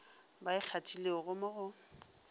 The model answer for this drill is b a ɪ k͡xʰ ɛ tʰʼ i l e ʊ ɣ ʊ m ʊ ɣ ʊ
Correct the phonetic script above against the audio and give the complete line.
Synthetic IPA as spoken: b a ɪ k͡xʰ a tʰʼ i l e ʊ ɣ ʊ m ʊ ɣ ʊ

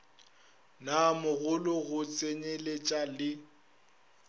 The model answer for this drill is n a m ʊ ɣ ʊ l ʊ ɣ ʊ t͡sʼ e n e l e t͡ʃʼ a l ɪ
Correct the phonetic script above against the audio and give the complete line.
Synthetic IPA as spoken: n a m ʊ ɣ ʊ l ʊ ɣ ʊ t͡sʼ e ɲ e l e t͡ʃʼ a l ɪ

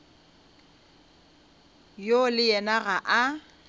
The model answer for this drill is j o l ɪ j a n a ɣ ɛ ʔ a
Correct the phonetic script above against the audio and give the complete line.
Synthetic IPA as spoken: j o l ɪ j ɛ n a ɣ a ʔ a

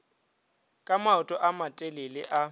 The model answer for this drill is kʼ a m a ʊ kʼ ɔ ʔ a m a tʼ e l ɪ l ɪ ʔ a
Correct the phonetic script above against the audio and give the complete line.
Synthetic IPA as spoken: kʼ a m a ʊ tʼ ɔ ʔ a m a tʼ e l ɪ l ɪ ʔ a

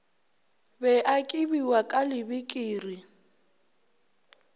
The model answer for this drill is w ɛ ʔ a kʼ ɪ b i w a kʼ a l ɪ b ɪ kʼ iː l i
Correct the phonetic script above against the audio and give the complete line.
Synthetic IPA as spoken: b ɛ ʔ a kʼ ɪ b i w a kʼ a l ɪ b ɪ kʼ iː r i

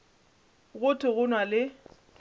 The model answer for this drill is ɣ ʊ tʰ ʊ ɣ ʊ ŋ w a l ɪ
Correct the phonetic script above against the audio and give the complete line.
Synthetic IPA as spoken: ɣ ʊ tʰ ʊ ɣ ʊ n w a l ɪ

